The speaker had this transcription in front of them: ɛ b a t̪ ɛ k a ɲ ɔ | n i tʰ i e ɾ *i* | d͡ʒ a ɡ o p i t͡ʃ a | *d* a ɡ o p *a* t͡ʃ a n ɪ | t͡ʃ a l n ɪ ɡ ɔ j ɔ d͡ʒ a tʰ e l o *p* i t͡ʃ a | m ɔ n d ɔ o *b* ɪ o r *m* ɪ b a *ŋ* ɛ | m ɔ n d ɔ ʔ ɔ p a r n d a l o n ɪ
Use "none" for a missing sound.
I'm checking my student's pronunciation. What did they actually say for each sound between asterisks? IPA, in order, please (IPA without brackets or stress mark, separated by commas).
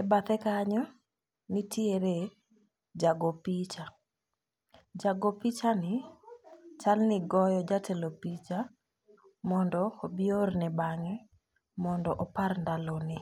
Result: e, d͡ʒ, i, p, b, n, ŋ